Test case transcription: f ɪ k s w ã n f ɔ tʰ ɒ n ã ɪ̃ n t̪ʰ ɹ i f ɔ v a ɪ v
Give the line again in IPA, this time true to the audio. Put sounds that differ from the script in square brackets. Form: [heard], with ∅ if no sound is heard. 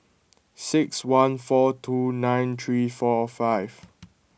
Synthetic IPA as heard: [s] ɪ k s w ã n f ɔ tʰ [u] n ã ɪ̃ n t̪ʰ ɹ i f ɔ [f] a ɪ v